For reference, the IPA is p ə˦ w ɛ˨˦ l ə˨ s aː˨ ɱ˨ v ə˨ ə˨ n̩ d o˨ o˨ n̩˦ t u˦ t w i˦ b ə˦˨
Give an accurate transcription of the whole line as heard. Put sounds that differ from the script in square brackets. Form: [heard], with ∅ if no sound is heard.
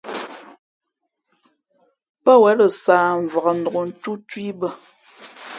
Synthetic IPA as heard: p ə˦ w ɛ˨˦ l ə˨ s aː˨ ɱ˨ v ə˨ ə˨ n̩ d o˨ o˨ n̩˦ t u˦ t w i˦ b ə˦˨